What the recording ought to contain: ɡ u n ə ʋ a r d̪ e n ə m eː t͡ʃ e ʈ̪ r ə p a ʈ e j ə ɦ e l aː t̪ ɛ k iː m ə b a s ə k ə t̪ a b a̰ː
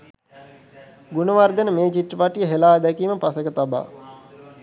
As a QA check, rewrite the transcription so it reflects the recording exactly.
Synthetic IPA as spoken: ɡ u n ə ʋ a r d̪ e n ə m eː t͡ʃ i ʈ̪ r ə p a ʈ i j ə ɦ e l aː d̪ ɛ k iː m ə p a s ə k ə t̪ a b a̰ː